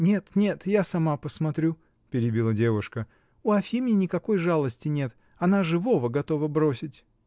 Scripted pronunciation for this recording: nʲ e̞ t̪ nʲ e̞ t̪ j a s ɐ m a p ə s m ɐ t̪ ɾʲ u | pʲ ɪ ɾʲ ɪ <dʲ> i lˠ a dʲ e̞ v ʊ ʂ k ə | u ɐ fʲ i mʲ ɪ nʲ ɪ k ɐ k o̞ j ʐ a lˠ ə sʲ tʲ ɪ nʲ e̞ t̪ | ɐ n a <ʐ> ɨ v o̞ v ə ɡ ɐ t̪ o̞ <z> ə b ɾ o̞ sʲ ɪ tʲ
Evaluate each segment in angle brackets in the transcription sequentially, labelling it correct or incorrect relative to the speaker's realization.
incorrect, correct, incorrect

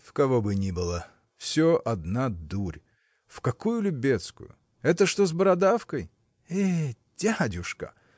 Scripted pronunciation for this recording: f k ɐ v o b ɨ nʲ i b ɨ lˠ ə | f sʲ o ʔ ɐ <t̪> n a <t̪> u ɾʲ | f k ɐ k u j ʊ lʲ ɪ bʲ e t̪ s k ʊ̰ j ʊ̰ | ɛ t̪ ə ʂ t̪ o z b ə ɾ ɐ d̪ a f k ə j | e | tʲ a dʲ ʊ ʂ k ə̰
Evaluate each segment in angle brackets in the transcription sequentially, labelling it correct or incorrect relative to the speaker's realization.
incorrect, incorrect

